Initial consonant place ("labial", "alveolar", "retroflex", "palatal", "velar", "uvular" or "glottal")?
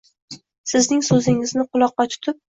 alveolar